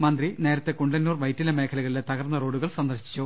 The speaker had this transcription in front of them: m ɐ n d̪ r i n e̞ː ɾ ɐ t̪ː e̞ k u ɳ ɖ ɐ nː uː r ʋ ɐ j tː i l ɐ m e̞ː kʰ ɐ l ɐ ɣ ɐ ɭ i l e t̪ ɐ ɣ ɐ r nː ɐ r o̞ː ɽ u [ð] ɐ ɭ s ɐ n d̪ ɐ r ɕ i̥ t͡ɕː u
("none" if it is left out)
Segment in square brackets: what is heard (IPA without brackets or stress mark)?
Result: ɣ